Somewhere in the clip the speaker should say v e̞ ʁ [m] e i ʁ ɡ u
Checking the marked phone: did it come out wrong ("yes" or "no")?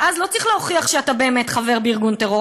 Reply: yes